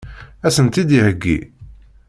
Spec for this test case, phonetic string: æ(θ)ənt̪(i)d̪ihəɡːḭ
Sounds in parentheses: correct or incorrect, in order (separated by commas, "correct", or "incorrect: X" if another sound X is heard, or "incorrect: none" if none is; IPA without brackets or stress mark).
incorrect: s, correct